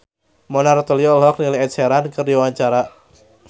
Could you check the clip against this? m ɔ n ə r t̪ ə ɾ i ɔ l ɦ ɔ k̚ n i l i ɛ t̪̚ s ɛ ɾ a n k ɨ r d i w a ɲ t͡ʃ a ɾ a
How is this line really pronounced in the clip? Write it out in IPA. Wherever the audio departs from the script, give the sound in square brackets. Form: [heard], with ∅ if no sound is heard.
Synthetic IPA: m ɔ n [a] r t̪ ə [l] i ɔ l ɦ ɔ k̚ n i l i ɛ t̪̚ s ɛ ɾ a n k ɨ r d i w a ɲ t͡ʃ a ɾ a